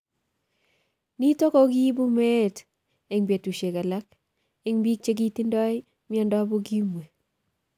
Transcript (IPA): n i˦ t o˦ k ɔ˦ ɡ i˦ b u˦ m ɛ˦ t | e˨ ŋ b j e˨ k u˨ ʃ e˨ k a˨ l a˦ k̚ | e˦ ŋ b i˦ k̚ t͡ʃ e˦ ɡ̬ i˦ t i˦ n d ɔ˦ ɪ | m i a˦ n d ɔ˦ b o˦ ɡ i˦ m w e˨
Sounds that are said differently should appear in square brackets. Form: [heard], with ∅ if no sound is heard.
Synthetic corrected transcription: n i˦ t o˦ k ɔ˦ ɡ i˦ b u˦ m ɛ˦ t | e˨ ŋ b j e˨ [t] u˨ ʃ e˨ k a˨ l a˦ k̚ | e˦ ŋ b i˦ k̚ t͡ʃ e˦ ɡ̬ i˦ t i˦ n d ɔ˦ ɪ | m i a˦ n d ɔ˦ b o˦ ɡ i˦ m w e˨